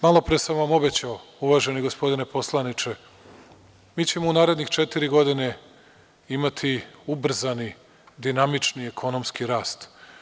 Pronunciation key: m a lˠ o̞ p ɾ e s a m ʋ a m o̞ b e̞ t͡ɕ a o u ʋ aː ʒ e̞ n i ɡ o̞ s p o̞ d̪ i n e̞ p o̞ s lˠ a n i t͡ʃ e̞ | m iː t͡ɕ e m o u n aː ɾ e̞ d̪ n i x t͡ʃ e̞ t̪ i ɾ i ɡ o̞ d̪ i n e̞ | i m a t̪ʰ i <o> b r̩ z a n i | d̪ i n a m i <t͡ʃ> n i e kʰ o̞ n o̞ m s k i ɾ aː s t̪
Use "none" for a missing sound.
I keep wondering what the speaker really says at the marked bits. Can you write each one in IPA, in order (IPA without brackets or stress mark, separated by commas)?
u, t͡ʃ